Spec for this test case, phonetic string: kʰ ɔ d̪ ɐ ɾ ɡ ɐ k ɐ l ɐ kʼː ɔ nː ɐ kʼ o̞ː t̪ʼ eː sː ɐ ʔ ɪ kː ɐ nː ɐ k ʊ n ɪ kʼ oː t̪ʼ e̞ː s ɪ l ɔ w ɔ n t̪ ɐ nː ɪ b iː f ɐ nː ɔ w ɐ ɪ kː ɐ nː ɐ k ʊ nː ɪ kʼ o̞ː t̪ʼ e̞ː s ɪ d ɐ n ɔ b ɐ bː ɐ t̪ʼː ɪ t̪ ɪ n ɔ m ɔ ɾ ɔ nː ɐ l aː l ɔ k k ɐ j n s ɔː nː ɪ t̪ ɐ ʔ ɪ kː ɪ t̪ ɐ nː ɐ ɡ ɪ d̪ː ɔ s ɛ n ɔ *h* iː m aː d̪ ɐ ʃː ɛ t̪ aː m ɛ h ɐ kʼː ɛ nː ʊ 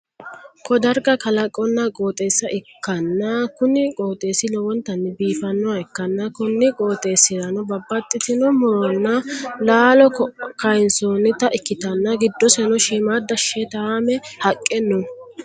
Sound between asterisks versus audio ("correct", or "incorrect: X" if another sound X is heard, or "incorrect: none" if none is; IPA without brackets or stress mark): incorrect: ʃ